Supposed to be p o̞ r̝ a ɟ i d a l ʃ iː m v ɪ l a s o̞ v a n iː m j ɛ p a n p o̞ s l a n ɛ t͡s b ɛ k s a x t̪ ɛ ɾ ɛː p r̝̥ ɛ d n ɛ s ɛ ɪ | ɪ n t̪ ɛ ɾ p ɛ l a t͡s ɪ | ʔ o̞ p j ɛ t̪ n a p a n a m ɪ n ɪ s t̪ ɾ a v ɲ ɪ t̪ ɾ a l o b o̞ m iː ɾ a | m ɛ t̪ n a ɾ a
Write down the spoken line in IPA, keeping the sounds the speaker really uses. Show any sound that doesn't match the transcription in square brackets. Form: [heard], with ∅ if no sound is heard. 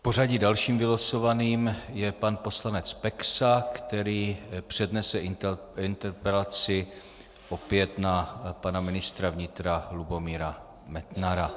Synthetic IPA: p o̞ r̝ a ɟ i d a l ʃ iː m v ɪ l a s o̞ v a n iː m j ɛ p a n p o̞ s l a n ɛ t͡s [p] ɛ k s a [k] t̪ ɛ ɾ [iː] p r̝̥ ɛ d n ɛ s ɛ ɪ | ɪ n t̪ ɛ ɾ p ɛ l a t͡s ɪ | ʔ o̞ p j ɛ t̪ n a p a n a m ɪ n ɪ s t̪ ɾ a v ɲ ɪ t̪ ɾ a l [u] b o̞ m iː ɾ a | m ɛ t̪ n a ɾ a